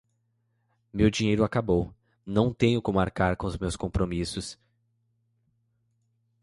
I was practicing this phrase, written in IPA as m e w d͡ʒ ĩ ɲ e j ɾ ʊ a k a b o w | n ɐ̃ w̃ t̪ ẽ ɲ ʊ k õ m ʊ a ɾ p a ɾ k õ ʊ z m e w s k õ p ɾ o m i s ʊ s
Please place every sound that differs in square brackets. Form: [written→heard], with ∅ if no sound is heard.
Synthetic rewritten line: m e w d͡ʒ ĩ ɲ e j ɾ ʊ a k a b o w | n ɐ̃ w̃ t̪ ẽ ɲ ʊ k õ m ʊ a ɾ [p→k] a ɾ k õ ʊ z m e w s k õ p ɾ o m i s ʊ s